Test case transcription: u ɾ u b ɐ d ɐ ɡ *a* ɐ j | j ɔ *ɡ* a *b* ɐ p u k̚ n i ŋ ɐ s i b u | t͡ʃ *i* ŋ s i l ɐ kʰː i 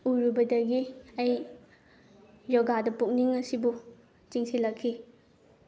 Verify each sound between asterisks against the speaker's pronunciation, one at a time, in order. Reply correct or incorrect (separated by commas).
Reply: incorrect, correct, incorrect, correct